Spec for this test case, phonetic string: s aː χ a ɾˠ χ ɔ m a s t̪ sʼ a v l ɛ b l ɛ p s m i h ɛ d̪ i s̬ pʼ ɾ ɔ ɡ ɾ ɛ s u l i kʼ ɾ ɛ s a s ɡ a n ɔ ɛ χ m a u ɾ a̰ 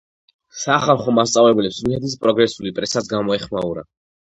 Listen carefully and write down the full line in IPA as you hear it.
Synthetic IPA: s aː χ a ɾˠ χ ɔ m a s t̪ sʼ a v l ɛ b l ɛ p s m i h ɛ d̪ i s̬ pʼ ɾ ɔ ɡ ɾ ɛ s u l i pʼ ɾ ɛ s a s ɡ a m ɔ ɛ χ m a u ɾ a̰